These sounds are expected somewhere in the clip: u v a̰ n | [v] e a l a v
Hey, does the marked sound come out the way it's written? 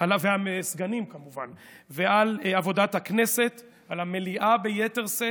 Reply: yes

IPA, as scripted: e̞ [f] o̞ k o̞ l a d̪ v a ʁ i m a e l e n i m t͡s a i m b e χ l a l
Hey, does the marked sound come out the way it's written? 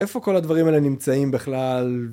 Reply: yes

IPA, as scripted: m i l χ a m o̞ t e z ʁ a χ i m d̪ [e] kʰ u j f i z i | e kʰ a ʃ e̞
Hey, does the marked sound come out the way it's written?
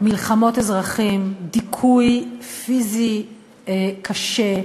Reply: no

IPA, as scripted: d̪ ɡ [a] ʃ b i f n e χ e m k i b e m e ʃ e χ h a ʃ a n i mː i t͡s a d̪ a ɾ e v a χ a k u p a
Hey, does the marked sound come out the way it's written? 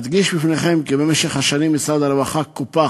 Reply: no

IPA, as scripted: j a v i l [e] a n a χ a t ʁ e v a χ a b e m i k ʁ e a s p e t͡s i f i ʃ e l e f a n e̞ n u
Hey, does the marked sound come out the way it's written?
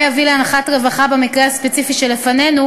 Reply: yes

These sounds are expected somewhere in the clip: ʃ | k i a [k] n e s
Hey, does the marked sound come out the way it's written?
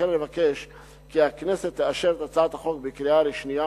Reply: yes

